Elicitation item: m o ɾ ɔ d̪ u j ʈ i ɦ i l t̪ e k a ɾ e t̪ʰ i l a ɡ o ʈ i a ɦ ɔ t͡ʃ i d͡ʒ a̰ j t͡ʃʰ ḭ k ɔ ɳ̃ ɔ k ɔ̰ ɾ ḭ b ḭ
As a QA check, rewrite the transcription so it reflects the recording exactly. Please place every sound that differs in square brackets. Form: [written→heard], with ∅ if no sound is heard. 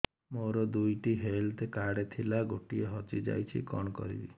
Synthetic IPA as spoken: m o ɾ ɔ d̪ u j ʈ i ɦ [i→e] l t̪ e k a [ɾ→ɽ] e t̪ʰ i l a ɡ o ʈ i [a→e] ɦ ɔ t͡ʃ i d͡ʒ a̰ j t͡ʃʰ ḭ k ɔ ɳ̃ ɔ k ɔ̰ ɾ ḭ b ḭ